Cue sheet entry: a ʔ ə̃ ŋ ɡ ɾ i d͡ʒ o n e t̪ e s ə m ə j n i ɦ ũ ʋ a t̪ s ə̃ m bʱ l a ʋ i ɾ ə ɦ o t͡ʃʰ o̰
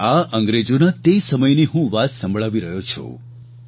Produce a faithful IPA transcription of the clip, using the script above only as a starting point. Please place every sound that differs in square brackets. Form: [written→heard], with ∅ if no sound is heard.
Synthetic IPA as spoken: a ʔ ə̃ ŋ ɡ ɾ [i→e] d͡ʒ o n [e→a] t̪ e s ə m ə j n i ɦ ũ ʋ a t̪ s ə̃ m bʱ [l→ɭ] a ʋ i ɾ ə ɦ o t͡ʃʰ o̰